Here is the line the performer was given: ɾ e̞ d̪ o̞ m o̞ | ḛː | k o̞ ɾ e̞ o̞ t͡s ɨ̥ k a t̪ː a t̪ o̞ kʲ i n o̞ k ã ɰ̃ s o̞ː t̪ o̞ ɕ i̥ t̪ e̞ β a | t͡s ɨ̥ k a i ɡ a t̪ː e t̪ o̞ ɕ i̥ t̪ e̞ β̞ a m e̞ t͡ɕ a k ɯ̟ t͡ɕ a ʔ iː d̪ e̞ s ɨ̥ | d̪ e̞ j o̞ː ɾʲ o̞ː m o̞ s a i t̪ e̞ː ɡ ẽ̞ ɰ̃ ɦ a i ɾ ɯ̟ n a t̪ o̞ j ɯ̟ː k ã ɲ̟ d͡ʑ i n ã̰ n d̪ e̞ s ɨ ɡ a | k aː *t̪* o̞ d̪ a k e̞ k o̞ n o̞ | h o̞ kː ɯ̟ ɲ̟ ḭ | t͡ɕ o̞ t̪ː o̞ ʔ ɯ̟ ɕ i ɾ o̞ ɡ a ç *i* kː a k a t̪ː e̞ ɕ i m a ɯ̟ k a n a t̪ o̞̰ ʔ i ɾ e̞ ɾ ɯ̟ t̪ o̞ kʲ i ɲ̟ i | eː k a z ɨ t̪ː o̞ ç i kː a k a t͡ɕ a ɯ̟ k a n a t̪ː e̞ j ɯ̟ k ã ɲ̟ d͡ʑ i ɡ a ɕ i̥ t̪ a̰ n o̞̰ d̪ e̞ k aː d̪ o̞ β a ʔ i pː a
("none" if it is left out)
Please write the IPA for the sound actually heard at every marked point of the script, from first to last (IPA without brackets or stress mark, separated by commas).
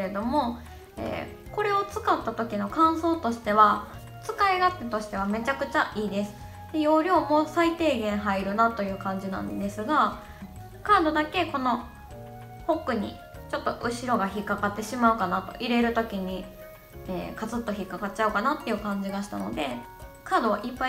d̪, i